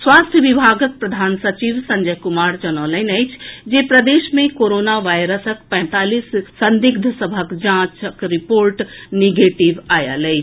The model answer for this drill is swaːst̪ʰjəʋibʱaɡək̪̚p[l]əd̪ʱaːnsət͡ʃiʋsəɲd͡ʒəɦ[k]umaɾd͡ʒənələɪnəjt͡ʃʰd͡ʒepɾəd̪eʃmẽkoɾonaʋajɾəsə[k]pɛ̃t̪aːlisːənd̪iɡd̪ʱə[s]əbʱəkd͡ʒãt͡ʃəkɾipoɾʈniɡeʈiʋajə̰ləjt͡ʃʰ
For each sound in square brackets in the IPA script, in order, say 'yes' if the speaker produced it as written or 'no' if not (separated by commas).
no, yes, yes, yes